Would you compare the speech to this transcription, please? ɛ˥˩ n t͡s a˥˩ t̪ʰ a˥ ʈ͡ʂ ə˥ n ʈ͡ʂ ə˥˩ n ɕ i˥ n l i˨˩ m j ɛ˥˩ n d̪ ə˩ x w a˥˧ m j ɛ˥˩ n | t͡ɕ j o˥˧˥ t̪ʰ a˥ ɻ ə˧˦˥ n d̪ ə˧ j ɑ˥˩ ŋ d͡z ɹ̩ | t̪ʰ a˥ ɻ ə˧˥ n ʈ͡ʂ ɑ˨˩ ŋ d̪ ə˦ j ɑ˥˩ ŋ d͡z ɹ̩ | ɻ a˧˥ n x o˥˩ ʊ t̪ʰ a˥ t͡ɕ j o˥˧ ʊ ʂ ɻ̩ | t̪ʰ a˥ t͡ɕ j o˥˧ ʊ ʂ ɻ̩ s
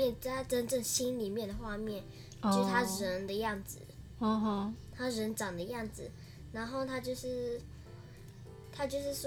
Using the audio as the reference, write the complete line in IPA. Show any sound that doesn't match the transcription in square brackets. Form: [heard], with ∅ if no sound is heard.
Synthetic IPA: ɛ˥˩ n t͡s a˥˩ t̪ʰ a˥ ʈ͡ʂ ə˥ n ʈ͡ʂ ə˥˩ [ŋ] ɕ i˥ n l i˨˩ m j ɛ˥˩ n d̪ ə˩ x w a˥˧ m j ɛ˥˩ n | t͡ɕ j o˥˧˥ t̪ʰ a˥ ɻ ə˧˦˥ n d̪ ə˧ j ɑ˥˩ ŋ d͡z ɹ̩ | t̪ʰ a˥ ɻ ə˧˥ n ʈ͡ʂ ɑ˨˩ ŋ d̪ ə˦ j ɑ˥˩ ŋ d͡z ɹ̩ | ɻ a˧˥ n x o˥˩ ʊ t̪ʰ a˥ t͡ɕ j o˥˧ ʊ ʂ ɻ̩ | t̪ʰ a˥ t͡ɕ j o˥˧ ʊ ʂ ɻ̩ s